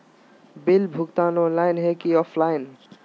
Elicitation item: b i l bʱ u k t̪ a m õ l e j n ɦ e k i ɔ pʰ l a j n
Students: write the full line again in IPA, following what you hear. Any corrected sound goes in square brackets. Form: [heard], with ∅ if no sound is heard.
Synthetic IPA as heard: b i l bʱ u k t̪ a [n] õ l [a] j n ɦ e k i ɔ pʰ l a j n

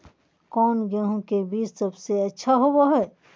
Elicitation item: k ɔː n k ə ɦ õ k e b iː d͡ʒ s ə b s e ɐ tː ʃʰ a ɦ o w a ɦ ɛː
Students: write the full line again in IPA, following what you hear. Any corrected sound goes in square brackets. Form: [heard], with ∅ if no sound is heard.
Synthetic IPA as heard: k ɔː n [ɡ] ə ɦ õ k e b iː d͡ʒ s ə b s e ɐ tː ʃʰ a ɦ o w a ɦ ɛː

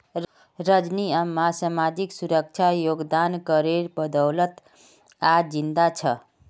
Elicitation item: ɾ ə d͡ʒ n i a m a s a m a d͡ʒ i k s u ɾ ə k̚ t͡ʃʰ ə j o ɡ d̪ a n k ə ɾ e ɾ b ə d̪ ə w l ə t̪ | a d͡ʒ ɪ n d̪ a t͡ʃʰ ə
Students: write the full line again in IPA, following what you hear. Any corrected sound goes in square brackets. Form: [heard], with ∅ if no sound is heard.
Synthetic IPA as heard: ɾ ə d͡ʒ n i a m a s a m a d͡ʒ i k s u ɾ ə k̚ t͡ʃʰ [a] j o ɡ d̪ a n k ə ɾ e ɾ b ə d̪ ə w l ə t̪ | a d͡ʒ [i] n d̪ a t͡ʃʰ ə

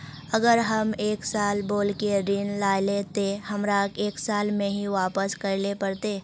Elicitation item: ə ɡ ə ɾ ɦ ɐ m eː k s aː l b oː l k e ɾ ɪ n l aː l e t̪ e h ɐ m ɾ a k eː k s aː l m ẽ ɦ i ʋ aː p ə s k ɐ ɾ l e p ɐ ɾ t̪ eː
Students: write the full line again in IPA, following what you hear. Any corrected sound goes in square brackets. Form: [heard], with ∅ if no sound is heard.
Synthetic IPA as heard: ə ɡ ə ɾ ɦ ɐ m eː k s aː l b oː l k e ɾ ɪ n l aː l e t̪ e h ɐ m ɾ a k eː k s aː l m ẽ ɦ i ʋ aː p ə s k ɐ ɾ l e p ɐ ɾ t̪ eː

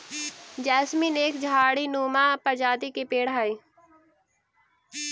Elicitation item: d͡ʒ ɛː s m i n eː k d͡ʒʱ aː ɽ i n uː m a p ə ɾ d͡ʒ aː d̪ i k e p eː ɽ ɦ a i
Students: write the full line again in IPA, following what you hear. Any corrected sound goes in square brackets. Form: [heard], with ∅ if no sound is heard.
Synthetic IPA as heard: d͡ʒ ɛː s m i n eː k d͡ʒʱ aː ɽ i n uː m a p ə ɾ d͡ʒ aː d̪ i k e p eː ɽ ɦ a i

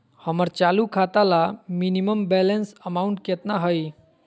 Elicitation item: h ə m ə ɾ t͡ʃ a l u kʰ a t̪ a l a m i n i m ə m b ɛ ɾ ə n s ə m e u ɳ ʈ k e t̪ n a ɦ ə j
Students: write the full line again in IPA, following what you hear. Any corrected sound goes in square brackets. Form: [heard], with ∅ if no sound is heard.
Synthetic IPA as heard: h ə m ə ɾ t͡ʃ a l u kʰ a t̪ a l a m i n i m ə m b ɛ [l] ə n s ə m [a] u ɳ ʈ k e t̪ n a ɦ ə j

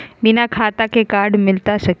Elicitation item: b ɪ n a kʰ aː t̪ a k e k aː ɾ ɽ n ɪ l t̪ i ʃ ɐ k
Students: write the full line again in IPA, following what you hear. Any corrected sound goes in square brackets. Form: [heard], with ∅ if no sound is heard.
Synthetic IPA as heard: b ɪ n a kʰ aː t̪ a k e k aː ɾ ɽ [m] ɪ l t̪ [a] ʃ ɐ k

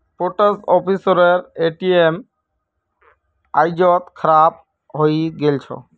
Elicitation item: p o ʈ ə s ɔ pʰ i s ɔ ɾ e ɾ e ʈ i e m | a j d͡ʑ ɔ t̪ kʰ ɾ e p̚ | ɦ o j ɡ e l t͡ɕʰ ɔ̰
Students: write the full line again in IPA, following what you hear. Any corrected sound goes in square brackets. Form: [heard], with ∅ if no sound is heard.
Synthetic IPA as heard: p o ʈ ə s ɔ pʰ i s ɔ ɾ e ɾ e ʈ i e m | a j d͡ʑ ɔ t̪ kʰ ɾ [a] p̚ | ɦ o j ɡ e l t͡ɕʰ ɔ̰

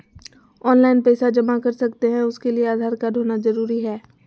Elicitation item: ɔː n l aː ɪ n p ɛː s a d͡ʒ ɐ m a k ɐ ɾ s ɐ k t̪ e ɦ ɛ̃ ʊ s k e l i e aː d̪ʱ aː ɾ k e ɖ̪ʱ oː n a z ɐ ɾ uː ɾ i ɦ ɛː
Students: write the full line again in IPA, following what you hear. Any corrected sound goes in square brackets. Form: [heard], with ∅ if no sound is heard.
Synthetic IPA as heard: ɔː n l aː ɪ n p ɛː s a d͡ʒ ɐ m a k ɐ ɾ s ɐ k t̪ e ɦ ɛ̃ ʊ s k e l i e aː d̪ʱ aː ɾ k [a] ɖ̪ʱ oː n a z ɐ ɾ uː ɾ i ɦ ɛː

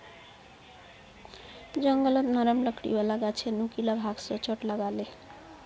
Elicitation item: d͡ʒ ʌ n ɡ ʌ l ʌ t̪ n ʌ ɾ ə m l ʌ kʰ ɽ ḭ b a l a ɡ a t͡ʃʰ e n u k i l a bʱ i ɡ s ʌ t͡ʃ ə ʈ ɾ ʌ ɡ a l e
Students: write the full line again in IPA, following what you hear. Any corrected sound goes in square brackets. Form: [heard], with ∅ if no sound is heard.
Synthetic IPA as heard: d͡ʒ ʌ [ŋ] ɡ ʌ l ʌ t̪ n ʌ ɾ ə m l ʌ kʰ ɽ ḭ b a l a ɡ a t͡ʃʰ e n u k i l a bʱ [a] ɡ s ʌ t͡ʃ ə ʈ [l] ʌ ɡ a l e

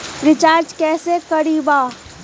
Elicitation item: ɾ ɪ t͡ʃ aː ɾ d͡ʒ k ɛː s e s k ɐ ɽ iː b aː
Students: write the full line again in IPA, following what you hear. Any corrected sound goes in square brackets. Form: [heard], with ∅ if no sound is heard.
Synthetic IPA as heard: ɾ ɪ t͡ʃ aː ɾ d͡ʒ k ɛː s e [∅] k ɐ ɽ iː b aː

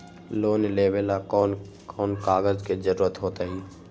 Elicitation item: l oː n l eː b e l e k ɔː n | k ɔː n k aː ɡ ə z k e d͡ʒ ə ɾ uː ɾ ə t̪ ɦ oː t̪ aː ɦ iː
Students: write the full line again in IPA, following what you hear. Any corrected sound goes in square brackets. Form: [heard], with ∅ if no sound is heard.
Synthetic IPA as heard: l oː n l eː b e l [a] k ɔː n | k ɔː n k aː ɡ ə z k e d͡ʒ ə ɾ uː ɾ ə t̪ ɦ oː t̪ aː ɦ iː

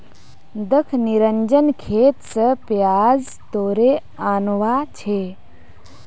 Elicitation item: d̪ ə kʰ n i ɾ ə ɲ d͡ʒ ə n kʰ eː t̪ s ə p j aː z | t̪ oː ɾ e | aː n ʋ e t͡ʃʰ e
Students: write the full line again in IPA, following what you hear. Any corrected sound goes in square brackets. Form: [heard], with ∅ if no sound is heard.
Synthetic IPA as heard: d̪ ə kʰ n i ɾ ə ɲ d͡ʒ ə n kʰ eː t̪ s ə p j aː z | t̪ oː ɾ e | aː n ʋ [a] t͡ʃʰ e

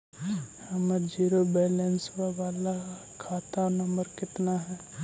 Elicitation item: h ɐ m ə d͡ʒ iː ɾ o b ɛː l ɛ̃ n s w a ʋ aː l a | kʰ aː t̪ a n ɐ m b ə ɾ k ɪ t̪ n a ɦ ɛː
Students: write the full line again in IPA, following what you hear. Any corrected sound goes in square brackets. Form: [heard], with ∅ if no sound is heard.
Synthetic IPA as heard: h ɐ m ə d͡ʒ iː ɾ o b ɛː l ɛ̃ n s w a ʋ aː l a | kʰ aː t̪ a n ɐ m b ə ɾ k ɪ t̪ n a ɦ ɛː

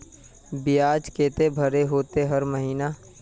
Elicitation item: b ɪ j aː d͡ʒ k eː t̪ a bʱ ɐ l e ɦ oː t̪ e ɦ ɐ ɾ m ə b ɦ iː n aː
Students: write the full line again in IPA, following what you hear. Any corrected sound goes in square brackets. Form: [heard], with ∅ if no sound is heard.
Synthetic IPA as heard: b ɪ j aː d͡ʒ k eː t̪ [e] bʱ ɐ [ɾ] e ɦ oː t̪ e ɦ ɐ ɾ m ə [∅] ɦ iː n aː

